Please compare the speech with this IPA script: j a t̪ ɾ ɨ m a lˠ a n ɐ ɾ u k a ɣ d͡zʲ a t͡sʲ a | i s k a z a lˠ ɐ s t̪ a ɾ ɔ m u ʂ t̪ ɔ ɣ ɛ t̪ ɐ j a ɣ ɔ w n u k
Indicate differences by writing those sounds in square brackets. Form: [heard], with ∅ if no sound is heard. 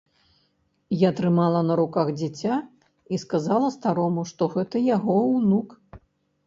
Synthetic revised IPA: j a t̪ ɾ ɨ m a lˠ [ɐ] n ɐ ɾ u k a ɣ d͡zʲ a t͡sʲ a | i s k a z a lˠ ɐ s t̪ a ɾ ɔ m u ʂ t̪ ɔ ɣ ɛ t̪ ɐ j a ɣ ɔ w n u k